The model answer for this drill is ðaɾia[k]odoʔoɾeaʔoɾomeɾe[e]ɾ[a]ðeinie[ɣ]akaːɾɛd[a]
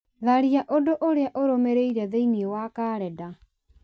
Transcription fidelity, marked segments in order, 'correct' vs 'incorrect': incorrect: ʔ, incorrect: i, incorrect: ɛ, incorrect: w, correct

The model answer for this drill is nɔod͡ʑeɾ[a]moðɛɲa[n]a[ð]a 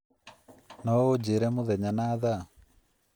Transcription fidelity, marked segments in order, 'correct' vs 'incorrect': incorrect: ɛ, correct, correct

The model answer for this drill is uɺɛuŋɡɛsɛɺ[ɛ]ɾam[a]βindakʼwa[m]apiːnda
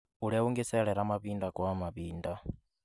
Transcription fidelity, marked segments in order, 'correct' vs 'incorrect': correct, correct, correct

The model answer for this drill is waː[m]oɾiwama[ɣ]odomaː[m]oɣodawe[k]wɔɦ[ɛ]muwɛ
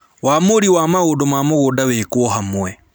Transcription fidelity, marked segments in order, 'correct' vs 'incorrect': correct, correct, correct, correct, incorrect: a

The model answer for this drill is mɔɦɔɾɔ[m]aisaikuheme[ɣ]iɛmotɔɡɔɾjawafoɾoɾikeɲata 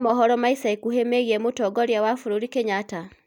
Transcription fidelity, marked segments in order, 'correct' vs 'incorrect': correct, correct

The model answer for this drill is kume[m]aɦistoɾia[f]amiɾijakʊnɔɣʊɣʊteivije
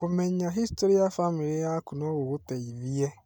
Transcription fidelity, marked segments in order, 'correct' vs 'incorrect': incorrect: ɲ, correct

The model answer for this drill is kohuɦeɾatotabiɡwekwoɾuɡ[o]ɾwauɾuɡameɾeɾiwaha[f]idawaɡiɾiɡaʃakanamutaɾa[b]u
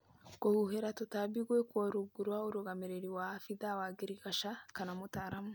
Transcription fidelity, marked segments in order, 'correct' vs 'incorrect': incorrect: u, correct, incorrect: m

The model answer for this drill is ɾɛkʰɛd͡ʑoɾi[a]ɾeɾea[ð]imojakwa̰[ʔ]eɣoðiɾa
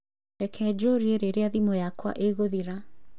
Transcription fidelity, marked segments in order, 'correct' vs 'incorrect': incorrect: e, correct, correct

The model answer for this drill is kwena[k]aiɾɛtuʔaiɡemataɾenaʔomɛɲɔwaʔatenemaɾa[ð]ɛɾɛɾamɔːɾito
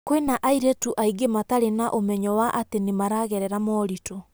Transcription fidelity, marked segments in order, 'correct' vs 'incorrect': incorrect: ʔ, incorrect: ɣ

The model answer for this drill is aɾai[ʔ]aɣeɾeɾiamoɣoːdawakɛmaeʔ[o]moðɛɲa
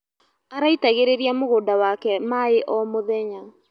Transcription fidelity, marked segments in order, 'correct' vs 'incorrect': incorrect: t, incorrect: ɔ

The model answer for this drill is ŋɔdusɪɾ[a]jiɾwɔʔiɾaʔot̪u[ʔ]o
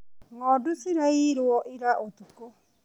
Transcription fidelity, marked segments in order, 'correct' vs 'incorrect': correct, incorrect: k

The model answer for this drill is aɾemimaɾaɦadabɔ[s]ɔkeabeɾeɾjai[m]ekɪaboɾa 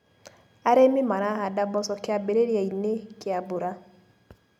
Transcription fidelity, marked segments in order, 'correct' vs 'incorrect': correct, incorrect: n

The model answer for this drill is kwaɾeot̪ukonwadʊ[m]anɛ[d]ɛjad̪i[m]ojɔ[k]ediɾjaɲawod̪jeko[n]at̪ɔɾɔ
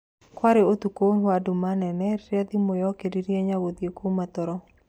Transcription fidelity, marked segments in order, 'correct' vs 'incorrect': correct, incorrect: n, correct, correct, incorrect: m

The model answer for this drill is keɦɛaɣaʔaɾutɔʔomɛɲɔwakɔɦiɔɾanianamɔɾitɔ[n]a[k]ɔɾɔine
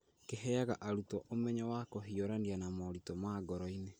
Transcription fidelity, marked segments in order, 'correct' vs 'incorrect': incorrect: m, incorrect: ɡ

